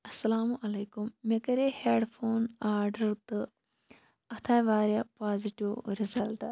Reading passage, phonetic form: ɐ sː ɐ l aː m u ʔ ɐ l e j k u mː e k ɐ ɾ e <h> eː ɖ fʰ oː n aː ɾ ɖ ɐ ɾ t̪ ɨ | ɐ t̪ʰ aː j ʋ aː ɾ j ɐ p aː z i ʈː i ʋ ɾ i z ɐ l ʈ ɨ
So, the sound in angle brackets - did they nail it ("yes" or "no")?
yes